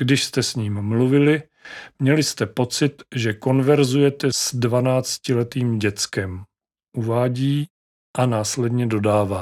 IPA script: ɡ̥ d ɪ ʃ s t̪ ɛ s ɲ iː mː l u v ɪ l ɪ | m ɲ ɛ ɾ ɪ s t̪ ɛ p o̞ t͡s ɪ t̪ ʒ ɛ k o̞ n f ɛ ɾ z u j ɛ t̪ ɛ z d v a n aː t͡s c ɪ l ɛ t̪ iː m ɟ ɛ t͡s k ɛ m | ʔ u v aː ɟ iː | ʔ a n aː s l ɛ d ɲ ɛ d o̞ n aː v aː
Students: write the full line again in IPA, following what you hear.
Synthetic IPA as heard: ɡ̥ d ɪ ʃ s t̪ ɛ s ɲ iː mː l u v ɪ l ɪ | m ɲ ɛ l ɪ s t̪ ɛ p o̞ t͡s ɪ t̪ ʒ ɛ k o̞ n v ɛ ɾ z u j ɛ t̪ ɛ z d v a n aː t͡s c ɪ l ɛ t̪ iː m ɟ ɛ t͡s k ɛ m | ʔ u v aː ɟ iː | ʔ a n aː s l ɛ d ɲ ɛ d o̞ d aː v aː